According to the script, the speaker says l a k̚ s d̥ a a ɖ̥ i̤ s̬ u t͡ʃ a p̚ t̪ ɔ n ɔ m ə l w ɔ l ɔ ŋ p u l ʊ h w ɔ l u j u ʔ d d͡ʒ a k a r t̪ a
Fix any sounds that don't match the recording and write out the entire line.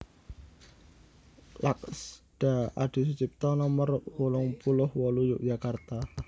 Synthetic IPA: l a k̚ s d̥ a a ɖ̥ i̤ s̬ u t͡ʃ i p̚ t̪ ɔ n ɔ m ə r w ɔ l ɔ ŋ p u l ʊ h w ɔ l u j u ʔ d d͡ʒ a k a r t̪ a